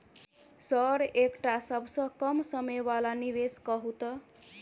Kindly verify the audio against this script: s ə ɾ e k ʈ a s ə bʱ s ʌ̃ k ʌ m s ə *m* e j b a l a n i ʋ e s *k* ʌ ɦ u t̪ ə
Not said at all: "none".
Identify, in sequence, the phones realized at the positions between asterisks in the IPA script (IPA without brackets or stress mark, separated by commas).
m, k